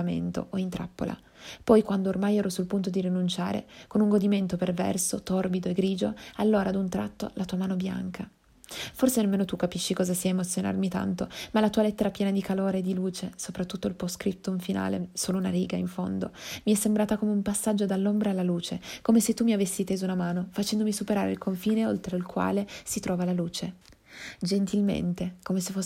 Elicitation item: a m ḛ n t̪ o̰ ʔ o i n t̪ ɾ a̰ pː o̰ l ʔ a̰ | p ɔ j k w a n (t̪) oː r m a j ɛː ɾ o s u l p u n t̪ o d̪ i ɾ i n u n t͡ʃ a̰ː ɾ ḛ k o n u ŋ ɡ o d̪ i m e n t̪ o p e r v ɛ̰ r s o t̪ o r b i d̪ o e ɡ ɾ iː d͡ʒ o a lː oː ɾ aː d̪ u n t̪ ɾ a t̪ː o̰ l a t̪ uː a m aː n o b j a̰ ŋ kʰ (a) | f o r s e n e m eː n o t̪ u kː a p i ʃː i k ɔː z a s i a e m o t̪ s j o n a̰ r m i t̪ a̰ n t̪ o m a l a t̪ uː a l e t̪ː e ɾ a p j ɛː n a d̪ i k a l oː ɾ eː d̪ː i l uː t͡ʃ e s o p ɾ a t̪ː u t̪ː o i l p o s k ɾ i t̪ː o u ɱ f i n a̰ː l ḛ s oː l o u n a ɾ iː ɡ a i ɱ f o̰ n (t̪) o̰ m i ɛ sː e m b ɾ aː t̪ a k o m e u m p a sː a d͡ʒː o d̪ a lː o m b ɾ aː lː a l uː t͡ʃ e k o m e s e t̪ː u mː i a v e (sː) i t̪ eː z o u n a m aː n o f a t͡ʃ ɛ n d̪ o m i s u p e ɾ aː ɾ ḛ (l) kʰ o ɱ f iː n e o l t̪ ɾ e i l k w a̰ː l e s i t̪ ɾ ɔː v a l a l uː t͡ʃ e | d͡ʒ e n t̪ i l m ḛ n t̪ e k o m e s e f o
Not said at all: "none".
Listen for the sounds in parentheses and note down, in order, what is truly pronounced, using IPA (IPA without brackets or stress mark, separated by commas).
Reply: d̪, a, d̪, sː, l